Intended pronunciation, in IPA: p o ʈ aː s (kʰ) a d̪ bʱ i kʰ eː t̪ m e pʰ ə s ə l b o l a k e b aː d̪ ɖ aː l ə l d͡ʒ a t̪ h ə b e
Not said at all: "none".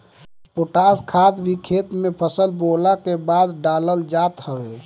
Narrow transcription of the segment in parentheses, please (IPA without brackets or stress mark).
kʰ